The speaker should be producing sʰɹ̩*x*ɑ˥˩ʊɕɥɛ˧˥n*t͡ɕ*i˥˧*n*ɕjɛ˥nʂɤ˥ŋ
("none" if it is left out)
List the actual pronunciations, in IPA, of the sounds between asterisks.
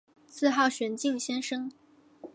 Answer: x, t͡ɕ, ŋ

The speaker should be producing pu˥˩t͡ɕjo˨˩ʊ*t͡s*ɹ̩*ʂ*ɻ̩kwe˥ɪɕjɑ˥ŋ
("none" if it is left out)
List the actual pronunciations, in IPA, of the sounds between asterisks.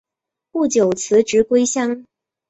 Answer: t͡sʰ, ʈ͡ʂ

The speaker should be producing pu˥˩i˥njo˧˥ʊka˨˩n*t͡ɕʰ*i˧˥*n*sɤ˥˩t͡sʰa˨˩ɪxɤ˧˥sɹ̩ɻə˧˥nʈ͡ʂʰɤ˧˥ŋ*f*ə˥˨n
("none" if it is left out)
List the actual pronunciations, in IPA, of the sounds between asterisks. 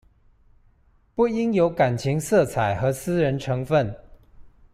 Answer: t͡ɕʰ, ŋ, f

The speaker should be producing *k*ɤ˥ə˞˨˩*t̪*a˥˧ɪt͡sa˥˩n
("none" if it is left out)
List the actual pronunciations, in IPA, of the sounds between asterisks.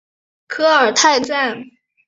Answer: kʰ, t̪ʰ

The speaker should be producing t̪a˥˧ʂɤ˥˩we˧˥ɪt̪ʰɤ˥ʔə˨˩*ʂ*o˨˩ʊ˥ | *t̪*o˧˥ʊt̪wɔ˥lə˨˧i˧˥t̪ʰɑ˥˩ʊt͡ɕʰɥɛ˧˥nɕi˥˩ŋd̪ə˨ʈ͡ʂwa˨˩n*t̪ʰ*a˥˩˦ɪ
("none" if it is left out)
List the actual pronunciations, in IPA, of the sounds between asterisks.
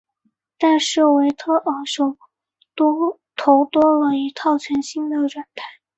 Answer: ʂ, t̪ʰ, t̪ʰ

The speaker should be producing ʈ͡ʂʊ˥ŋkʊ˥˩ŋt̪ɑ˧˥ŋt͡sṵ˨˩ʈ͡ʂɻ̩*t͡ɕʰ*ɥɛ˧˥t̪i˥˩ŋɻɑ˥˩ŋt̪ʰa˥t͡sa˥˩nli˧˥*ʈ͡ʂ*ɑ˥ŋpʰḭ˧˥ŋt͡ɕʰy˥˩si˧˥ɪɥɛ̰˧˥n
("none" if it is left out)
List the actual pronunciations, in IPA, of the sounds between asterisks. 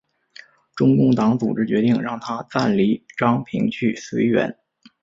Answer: t͡ɕ, ʈ͡ʂ

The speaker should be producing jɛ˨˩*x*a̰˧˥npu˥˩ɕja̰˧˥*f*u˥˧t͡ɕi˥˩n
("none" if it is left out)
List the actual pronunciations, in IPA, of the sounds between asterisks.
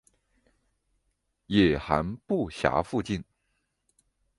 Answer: x, f

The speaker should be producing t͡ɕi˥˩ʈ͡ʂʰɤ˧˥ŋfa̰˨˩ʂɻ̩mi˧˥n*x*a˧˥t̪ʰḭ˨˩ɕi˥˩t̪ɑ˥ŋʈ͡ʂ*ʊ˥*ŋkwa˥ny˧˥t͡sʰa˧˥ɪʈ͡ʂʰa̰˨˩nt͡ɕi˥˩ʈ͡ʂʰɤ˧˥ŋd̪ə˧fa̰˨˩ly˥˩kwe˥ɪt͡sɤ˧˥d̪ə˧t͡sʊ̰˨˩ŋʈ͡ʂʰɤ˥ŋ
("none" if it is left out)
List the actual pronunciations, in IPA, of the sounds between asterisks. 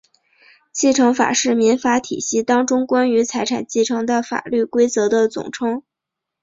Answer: f, ʊ˥

